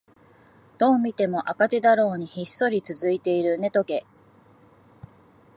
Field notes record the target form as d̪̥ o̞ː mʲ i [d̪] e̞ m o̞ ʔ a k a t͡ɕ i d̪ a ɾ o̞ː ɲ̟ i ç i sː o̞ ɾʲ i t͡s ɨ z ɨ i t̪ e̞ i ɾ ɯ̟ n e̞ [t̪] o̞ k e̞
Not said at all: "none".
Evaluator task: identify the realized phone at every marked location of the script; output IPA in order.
t̪, t̪

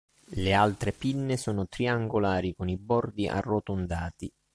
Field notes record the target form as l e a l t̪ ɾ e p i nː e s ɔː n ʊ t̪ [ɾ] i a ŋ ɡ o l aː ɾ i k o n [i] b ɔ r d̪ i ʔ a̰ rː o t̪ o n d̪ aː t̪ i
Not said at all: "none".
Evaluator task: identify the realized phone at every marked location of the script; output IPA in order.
ɾ, i

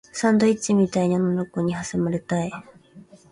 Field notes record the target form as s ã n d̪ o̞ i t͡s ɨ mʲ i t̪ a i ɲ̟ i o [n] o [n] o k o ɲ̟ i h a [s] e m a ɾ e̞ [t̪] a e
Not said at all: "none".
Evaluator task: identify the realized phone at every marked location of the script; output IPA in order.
n, n, s, t̪

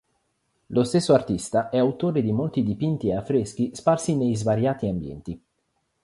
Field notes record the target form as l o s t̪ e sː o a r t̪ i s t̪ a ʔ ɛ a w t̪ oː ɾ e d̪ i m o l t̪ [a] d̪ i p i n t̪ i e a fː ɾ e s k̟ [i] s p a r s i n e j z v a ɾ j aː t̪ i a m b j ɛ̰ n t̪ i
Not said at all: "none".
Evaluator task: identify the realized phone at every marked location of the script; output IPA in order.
i, i

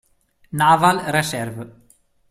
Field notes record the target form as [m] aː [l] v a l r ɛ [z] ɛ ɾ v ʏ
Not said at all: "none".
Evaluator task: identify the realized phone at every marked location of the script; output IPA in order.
n, none, s

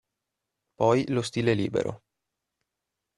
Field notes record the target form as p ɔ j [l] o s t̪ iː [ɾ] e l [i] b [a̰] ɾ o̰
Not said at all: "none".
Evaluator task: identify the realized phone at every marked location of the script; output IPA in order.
l, l, iː, ḛ

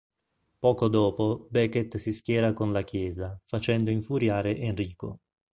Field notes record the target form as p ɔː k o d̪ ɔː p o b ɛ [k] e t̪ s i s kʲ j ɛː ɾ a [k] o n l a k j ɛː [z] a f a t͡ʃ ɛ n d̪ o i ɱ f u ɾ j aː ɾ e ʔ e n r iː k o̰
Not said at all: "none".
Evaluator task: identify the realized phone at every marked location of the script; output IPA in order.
k, k, z

